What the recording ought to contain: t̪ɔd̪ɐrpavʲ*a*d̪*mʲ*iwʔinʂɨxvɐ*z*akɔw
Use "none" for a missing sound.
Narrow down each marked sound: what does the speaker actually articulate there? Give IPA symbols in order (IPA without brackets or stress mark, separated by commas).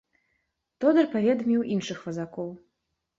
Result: ɛ, mʲ, z